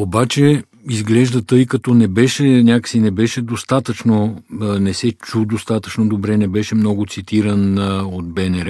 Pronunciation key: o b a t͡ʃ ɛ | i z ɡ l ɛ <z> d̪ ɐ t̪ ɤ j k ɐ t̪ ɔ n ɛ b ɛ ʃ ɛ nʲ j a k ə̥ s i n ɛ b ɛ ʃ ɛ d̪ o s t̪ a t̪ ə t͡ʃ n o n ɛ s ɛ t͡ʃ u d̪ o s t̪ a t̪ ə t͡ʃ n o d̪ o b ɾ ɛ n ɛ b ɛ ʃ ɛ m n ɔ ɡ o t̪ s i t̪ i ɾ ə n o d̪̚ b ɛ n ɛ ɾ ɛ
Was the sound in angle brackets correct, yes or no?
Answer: no